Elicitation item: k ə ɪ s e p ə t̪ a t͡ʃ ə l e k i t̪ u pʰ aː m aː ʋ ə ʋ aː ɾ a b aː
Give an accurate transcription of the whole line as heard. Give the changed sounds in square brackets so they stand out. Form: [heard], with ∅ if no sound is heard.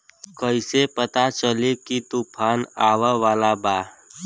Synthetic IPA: k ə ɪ s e p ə t̪ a t͡ʃ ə l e k i t̪ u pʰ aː [n] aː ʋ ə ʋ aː [l] a b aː